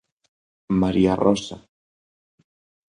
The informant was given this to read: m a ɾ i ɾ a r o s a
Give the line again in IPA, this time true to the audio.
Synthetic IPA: m a ɾ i a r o s a